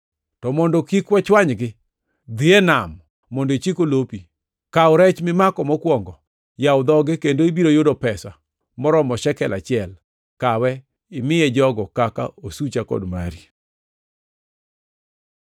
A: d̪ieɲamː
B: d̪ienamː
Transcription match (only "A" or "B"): B